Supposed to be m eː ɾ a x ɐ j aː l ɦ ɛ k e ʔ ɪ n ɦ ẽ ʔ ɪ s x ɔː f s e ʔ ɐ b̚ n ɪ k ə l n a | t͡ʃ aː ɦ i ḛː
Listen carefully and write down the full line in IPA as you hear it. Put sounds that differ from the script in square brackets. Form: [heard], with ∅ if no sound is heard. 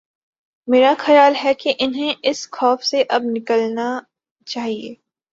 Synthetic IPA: m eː ɾ a x ɐ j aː l ɦ ɛ k e ʔ ɪ n ɦ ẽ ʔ ɪ s x ɔː f s e ʔ ɐ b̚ n ɪ k ə l n a | t͡ʃ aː ɦ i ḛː

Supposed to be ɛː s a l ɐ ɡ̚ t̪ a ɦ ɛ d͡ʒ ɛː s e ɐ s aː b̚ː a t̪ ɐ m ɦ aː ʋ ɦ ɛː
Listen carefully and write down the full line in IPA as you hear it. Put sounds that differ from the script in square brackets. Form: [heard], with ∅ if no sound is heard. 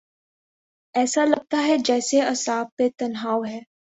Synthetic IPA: ɛː s a l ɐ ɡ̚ t̪ a ɦ ɛ d͡ʒ ɛː s e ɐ s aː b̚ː [e] t̪ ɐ [n] ɦ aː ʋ ɦ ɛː

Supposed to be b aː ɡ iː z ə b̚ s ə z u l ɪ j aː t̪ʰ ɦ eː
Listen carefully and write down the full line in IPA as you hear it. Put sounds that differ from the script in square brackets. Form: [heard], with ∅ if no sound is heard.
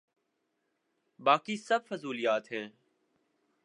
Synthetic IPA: b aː [k] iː [s] ə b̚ [f] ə z [uː] l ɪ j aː [t̪] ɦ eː

